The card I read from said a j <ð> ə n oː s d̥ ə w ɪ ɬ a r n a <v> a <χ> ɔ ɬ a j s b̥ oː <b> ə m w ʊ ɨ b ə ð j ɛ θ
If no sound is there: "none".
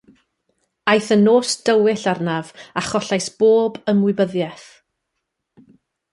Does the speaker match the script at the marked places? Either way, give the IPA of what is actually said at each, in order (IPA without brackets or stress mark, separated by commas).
θ, v, χ, b